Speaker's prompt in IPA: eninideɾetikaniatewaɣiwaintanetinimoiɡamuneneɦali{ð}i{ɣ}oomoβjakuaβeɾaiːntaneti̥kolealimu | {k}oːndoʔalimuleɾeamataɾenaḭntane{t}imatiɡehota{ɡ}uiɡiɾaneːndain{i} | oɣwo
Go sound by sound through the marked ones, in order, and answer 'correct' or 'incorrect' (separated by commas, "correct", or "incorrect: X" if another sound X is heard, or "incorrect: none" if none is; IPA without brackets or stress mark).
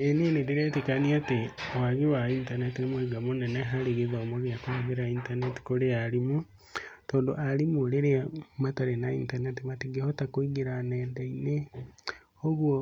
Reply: incorrect: ɣ, incorrect: ð, incorrect: t, correct, incorrect: k, incorrect: e